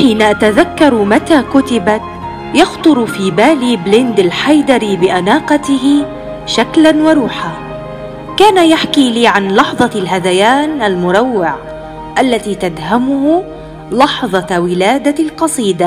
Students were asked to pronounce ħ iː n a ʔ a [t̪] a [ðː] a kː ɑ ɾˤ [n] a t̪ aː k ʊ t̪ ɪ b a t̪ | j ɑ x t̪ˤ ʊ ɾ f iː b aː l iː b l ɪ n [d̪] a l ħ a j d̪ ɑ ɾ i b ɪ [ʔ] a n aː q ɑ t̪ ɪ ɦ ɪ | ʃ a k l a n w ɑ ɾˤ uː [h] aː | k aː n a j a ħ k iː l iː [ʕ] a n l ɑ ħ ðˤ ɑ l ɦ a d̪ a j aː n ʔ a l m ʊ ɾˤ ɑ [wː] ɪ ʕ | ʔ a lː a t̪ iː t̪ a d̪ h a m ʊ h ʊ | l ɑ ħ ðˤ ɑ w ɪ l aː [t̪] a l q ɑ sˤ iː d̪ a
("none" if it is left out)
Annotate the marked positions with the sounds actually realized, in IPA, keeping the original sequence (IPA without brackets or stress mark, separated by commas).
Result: t̪, ð, m, d̪, ʔ, ħ, ʕ, wː, d̪